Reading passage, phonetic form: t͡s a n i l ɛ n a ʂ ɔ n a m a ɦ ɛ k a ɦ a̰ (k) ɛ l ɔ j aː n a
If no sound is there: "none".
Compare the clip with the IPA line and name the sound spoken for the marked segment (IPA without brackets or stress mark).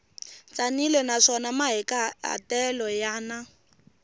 t